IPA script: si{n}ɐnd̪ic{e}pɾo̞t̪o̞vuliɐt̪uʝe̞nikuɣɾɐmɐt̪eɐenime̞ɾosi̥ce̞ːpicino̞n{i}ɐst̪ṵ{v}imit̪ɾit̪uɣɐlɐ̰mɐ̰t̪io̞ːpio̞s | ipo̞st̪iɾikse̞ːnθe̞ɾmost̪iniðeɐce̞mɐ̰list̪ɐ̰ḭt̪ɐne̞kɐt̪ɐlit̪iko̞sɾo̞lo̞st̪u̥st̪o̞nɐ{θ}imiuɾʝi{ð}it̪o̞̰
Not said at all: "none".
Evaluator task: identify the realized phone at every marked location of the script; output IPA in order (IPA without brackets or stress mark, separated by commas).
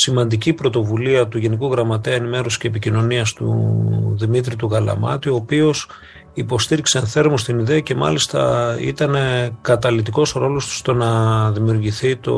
m, i, i, ð, ð, θ